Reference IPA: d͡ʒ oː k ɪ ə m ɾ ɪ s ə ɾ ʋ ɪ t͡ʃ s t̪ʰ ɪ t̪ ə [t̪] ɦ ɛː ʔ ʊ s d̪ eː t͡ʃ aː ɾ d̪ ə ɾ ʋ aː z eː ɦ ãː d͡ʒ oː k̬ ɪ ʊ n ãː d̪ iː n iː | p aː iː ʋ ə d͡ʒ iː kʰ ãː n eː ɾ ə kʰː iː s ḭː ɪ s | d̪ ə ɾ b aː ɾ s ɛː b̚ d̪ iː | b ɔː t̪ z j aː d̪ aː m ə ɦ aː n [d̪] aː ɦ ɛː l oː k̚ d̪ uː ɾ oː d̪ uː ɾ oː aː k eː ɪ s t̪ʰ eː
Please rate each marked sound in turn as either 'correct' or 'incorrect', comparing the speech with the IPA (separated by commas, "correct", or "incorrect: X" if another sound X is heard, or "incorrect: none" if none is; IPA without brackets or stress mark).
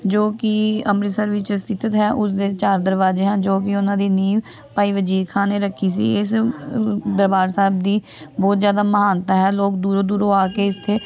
correct, incorrect: t̪